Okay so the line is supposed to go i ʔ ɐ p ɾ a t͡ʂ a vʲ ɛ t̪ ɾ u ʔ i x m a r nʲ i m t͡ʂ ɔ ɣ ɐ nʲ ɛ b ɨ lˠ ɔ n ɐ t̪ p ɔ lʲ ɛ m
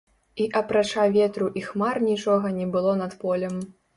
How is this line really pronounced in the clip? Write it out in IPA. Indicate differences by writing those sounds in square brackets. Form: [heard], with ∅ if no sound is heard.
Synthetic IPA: i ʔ ɐ p ɾ a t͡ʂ a vʲ ɛ t̪ ɾ u ʔ i x m a r nʲ i [∅] t͡ʂ ɔ ɣ ɐ nʲ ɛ b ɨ lˠ ɔ n ɐ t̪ p ɔ lʲ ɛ m